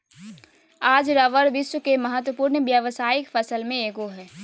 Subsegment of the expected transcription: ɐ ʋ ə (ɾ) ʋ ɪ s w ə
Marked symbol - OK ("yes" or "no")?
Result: yes